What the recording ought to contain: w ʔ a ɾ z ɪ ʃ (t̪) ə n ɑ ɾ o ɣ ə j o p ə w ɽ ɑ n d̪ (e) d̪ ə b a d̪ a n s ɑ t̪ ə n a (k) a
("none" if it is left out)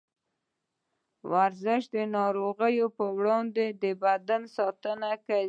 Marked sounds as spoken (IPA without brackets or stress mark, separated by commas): d̪, e, k